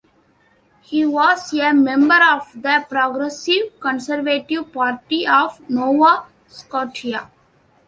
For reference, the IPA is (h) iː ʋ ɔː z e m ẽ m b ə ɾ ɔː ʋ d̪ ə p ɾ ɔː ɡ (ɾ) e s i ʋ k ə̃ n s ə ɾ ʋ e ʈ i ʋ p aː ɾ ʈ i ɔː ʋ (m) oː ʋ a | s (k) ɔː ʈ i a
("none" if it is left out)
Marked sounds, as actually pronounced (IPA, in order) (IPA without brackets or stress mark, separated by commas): h, ɾ, n, k